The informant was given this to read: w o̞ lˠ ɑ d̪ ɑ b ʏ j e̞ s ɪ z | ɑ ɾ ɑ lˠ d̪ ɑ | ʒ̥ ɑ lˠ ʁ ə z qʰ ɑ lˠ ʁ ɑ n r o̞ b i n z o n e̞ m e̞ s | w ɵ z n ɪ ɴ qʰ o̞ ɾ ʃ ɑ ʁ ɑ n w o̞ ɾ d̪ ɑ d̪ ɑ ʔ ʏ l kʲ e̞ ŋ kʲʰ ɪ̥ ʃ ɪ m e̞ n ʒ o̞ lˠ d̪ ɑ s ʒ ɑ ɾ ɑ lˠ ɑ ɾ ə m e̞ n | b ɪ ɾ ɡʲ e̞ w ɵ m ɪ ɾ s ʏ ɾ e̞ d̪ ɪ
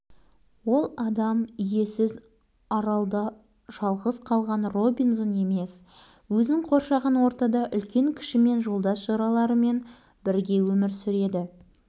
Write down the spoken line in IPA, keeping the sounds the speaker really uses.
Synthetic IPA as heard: w o̞ lˠ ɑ d̪ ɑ m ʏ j e̞ s ɪ z | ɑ ɾ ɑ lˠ d̪ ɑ | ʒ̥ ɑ lˠ ʁ ə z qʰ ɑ lˠ ʁ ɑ n r o̞ b i n z o n e̞ m e̞ s | w ɵ z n ɪ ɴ qʰ o̞ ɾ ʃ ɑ ʁ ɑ n w o̞ ɾ t̪ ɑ d̪ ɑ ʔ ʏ l kʲ e̞ ŋ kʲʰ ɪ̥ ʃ ɪ m e̞ n ʒ o̞ lˠ d̪ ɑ s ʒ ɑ ɾ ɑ lˠ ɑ ɾ ə m e̞ n | b ɪ ɾ ɡʲ e̞ w ɵ m ɪ ɾ s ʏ ɾ e̞ d̪ ɪ